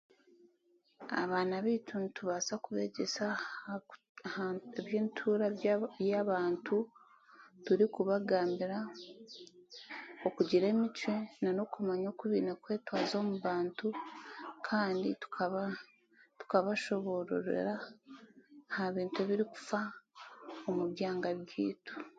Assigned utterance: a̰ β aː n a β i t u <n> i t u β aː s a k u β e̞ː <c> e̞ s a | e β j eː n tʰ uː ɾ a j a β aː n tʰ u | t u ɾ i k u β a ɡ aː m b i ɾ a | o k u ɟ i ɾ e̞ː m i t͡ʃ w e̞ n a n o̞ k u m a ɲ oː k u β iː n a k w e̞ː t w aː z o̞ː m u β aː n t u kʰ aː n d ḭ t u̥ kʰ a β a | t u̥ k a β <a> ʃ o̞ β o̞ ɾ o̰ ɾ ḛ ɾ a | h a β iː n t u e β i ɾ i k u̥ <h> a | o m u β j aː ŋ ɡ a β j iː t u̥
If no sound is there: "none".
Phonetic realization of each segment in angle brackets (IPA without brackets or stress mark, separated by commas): n, ɟ, a, f